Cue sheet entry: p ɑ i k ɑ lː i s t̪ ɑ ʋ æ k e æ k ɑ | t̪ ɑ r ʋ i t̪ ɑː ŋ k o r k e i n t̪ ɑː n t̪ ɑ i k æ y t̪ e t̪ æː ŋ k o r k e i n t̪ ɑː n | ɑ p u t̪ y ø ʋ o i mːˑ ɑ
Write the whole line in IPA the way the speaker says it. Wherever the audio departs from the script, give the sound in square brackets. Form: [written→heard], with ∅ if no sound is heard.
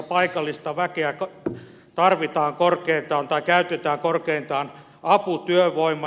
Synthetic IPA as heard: p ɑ i k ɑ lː i s t̪ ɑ ʋ æ k e æ k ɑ | t̪ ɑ r ʋ i t̪ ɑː ŋ k o r k e i n t̪ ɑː n t̪ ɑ i k æ y t̪ e t̪ æː ŋ k o r k e i n t̪ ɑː n | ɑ p u t̪ y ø ʋ o i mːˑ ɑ